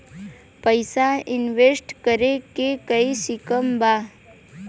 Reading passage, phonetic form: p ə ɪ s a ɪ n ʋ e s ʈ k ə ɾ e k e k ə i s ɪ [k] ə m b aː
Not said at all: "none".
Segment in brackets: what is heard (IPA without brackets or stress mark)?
k